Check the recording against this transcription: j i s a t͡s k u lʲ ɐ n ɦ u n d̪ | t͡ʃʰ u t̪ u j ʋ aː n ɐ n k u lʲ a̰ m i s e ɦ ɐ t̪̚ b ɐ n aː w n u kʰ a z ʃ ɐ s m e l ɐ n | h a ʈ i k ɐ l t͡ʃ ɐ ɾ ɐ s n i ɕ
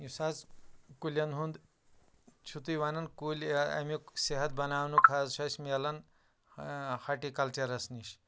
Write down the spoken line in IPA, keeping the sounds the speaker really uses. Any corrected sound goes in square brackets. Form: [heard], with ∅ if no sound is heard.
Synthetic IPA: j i s a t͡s k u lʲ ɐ n ɦ u n d̪ | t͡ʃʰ u t̪ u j ʋ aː n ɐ n k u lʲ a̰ m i s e ɦ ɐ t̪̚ b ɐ n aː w n u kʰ a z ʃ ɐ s m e l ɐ n | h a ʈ i k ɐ l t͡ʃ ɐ ɾ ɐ s n i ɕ